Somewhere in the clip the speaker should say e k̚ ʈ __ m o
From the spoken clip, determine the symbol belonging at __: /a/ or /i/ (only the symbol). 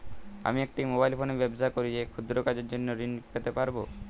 i